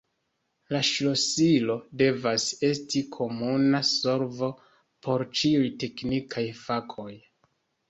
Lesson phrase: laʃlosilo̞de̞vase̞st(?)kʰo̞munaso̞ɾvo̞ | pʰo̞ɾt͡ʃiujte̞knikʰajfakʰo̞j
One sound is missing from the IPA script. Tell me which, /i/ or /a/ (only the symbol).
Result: i